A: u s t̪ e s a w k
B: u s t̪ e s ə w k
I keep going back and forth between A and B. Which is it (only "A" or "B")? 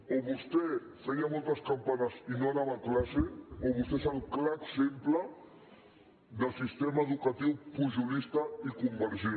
A